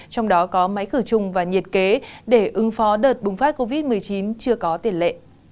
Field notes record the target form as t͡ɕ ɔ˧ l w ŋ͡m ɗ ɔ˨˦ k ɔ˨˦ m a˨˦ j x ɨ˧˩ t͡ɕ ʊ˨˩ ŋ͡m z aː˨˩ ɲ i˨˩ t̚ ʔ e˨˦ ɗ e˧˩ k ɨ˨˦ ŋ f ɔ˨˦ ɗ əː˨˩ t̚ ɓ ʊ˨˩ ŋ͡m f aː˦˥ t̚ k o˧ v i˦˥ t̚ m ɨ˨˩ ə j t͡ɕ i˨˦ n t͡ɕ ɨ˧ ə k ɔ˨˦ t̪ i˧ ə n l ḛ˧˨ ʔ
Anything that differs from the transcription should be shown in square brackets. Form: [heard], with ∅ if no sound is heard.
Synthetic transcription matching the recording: t͡ɕ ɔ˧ [∅] w ŋ͡m ɗ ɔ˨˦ k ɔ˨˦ m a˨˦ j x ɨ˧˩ t͡ɕ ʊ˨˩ ŋ͡m [v] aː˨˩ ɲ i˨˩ t̚ [k] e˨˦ ɗ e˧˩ [ʔ] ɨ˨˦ ŋ f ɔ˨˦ ɗ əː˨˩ t̚ ɓ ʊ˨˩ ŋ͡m f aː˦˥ t̚ k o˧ v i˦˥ t̚ m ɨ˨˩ ə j t͡ɕ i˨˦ n t͡ɕ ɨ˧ ə k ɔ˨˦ t̪ [i˨˩] ə n l ḛ˧˨ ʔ